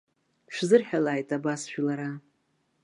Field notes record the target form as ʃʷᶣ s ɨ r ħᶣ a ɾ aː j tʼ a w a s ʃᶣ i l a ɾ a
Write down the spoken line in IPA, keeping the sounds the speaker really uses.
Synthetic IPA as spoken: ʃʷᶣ z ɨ r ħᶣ a l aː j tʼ a b a s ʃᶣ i l a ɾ a